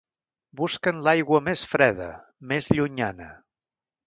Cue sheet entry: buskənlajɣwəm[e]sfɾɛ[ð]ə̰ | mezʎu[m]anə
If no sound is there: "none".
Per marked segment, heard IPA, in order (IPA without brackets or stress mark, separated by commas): e, ð, ɲ